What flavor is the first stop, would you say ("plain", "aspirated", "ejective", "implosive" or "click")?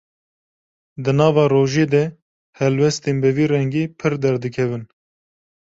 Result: plain